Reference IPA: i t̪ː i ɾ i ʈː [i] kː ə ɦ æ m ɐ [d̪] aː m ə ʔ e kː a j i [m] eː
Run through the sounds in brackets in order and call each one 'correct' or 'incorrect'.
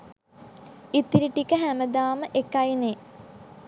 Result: correct, correct, incorrect: n

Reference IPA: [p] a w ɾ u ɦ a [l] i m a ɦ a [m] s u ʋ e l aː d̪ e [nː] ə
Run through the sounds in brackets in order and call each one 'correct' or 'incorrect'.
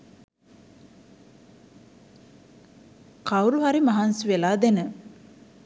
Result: incorrect: k, incorrect: ɾ, incorrect: n, incorrect: n

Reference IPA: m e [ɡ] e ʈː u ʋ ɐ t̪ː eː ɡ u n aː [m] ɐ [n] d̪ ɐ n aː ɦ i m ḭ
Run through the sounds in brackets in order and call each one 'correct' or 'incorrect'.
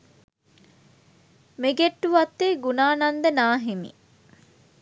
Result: correct, incorrect: n, correct

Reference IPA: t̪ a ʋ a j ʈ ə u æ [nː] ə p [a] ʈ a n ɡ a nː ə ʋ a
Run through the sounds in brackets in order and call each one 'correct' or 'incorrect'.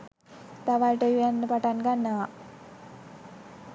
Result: correct, correct

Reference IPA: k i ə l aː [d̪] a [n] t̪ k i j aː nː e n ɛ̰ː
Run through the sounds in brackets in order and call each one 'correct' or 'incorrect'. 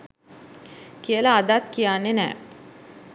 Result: correct, incorrect: none

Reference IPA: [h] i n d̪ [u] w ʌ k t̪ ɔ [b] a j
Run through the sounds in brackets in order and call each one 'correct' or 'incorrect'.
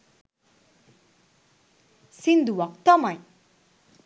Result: incorrect: s, correct, incorrect: m

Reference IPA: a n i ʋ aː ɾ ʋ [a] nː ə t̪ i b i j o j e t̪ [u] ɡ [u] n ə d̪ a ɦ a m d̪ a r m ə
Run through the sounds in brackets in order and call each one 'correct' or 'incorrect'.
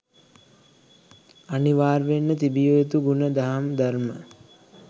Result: incorrect: e, correct, correct

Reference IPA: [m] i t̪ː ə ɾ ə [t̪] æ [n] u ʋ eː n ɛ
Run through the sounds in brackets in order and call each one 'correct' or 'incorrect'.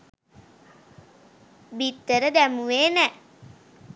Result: incorrect: b, incorrect: d̪, incorrect: m

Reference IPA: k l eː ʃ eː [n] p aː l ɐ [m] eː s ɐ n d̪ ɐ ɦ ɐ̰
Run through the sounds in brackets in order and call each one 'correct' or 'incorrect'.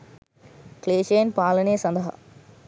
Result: correct, incorrect: n

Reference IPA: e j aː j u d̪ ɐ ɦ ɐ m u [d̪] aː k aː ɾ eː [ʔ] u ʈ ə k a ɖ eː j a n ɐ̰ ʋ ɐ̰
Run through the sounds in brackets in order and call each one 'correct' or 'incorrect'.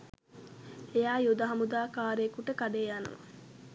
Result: correct, incorrect: k

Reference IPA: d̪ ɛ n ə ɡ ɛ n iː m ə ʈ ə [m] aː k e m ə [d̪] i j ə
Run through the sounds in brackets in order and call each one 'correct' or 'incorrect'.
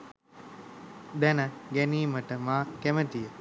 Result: correct, incorrect: t̪

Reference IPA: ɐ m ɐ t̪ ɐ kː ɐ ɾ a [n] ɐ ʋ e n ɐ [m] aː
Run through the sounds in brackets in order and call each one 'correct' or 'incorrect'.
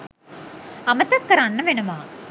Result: incorrect: nː, correct

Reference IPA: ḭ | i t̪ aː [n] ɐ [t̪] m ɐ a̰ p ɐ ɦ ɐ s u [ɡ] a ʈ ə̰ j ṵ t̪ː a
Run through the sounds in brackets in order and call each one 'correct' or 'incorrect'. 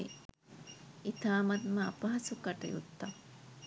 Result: incorrect: m, correct, incorrect: k

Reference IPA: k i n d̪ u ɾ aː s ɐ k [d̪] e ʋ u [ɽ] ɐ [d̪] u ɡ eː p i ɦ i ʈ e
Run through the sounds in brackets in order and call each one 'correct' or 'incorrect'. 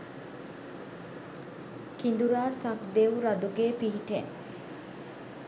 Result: correct, incorrect: ɾ, correct

